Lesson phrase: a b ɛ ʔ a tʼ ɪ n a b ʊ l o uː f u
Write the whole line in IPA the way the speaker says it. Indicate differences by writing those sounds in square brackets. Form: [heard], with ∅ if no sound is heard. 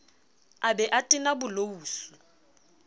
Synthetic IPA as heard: a b ɛ ʔ a tʼ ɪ n a b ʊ l o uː [s] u

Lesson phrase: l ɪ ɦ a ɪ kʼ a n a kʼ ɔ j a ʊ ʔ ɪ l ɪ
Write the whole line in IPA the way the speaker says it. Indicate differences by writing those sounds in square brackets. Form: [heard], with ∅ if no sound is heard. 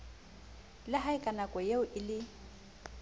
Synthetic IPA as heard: l ɪ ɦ a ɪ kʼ a n a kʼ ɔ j [e] ʊ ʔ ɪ l ɪ

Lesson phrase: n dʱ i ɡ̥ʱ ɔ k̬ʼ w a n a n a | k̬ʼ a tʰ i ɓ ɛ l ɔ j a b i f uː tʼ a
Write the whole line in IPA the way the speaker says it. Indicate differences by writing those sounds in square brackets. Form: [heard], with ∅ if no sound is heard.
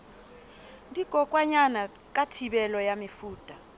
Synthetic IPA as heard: n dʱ i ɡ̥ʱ ɔ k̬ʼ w a [ɲ] a n a | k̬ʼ a tʰ i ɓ ɛ l ɔ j a [m] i f uː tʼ a

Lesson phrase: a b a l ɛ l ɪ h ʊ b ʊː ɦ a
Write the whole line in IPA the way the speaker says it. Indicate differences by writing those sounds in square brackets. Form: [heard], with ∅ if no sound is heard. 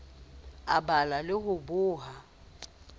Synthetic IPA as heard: a b a l [a] l ɪ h ʊ b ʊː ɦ a

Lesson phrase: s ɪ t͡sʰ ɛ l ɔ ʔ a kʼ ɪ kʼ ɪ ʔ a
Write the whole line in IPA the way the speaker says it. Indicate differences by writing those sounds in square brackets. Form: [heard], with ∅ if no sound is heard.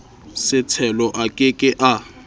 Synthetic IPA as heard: s ɪ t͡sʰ ɛ l ɔ ʔ a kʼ ɪ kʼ ɪ ʔ a

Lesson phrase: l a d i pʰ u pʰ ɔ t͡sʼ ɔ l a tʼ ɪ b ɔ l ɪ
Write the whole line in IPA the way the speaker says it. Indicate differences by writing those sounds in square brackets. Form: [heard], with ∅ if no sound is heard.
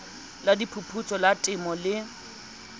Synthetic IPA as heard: l a d i pʰ u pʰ [u] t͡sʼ ɔ l a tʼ ɪ [m] ɔ l ɪ

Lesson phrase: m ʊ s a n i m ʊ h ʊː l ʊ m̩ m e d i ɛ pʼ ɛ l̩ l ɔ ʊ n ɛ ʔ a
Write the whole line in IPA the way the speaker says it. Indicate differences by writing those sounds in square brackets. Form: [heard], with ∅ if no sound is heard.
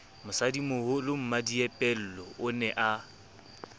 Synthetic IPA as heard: m ʊ s a [d] i m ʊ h [ʊ] l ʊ m̩ m [a] d i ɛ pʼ ɛ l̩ l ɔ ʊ n ɛ ʔ a

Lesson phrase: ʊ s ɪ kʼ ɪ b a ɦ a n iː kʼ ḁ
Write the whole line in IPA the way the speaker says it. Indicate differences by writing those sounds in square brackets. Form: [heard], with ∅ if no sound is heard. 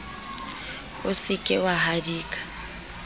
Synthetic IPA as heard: ʊ s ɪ kʼ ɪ [w] a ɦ a [d] iː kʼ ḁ

